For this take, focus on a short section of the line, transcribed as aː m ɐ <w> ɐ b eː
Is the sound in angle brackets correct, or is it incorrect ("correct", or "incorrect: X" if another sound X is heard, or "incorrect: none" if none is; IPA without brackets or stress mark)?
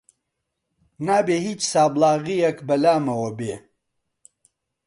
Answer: correct